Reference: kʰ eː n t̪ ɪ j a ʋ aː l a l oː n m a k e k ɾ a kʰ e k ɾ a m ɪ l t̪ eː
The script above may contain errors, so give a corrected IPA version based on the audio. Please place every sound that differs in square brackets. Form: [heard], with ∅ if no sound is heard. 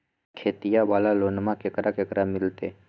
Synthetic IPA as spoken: kʰ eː [∅] t̪ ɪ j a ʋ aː l a l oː n m a k e k ɾ a [k] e k ɾ a m ɪ l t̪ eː